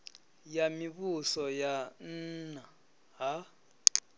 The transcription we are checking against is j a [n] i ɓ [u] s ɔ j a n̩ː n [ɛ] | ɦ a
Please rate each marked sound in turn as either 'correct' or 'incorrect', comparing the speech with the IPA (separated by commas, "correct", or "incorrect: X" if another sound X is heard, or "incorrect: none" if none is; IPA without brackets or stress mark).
incorrect: m, correct, incorrect: a